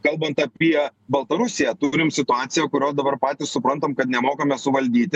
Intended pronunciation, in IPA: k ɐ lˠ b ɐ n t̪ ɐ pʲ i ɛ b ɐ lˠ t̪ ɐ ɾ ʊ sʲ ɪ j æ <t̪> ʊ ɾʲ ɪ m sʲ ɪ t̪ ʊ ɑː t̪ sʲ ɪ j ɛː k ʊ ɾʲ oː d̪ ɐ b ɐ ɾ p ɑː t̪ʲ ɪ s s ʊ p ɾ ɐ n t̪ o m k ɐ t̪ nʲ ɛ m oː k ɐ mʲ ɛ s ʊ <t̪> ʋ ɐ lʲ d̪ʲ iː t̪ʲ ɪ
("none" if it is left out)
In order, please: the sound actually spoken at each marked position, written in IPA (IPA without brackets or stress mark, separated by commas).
t̪, none